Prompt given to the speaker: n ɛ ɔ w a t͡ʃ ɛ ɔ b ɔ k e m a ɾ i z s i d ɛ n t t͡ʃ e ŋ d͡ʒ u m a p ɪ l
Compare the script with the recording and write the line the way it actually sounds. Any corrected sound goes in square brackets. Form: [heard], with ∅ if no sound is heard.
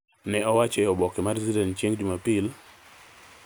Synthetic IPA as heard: n ɛ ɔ w a t͡ʃ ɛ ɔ b ɔ k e m a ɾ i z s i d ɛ n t t͡ʃ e ŋ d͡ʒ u m a p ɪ l